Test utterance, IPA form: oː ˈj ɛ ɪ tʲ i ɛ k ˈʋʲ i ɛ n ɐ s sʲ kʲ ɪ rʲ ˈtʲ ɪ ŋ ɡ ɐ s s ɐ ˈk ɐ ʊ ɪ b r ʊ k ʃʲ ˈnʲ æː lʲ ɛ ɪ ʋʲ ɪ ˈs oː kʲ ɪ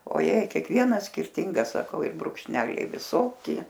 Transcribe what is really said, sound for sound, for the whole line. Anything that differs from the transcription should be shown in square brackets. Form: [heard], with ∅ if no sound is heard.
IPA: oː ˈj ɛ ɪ [kʲ] i ɛ k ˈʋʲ i ɛ n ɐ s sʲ kʲ ɪ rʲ ˈtʲ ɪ ŋ ɡ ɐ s s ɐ ˈk ɐ ʊ ɪ b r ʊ k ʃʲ ˈnʲ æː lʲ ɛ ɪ ʋʲ ɪ ˈs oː kʲ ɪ